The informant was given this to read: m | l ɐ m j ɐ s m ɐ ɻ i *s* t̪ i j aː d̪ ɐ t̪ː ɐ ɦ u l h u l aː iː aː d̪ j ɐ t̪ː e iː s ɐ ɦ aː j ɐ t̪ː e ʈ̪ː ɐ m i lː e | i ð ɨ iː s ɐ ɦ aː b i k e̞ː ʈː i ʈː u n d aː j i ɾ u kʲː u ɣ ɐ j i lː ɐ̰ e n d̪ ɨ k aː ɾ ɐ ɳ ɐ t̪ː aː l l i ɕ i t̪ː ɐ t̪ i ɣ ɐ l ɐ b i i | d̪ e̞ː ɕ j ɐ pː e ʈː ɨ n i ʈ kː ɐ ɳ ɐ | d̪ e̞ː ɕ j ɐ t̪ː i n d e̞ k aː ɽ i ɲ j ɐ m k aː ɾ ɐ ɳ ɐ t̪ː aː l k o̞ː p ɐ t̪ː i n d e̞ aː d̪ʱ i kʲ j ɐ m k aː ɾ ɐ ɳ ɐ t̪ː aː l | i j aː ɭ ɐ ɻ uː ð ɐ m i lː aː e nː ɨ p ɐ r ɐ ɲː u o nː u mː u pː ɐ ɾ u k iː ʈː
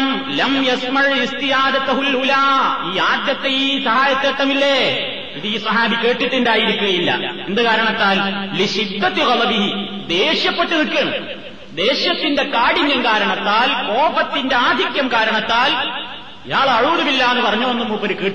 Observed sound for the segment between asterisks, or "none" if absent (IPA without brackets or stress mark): s